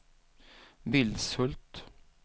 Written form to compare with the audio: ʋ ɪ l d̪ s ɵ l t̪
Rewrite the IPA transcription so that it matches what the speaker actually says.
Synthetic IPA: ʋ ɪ l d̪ s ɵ l t̪